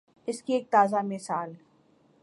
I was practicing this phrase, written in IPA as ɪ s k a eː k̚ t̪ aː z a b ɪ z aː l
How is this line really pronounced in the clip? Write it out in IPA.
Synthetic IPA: ɪ s k i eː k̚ t̪ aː z a m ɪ s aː l